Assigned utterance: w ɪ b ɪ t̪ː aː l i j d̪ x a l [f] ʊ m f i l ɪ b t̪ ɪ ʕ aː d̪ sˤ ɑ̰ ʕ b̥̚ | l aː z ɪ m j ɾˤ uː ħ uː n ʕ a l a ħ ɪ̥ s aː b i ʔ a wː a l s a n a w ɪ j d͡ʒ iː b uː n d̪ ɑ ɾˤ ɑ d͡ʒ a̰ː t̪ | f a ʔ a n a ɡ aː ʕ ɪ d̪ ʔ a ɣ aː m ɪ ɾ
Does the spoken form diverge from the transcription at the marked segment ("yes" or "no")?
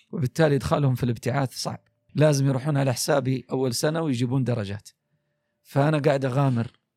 yes